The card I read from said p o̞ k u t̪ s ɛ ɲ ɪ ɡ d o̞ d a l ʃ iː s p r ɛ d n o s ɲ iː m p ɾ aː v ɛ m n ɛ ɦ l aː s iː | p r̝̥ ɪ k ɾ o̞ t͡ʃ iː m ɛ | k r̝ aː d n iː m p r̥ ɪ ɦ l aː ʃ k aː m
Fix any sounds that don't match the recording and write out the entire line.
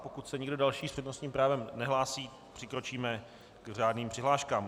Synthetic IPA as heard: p o̞ k u t̪ s ɛ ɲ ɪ ɡ d o̞ d a l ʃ iː s p r ɛ d n o s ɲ iː m p ɾ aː v ɛ m n ɛ ɦ l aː s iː | p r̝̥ ɪ k ɾ o̞ t͡ʃ iː m ɛ | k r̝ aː d n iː m p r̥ ɪ ɦ l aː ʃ k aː m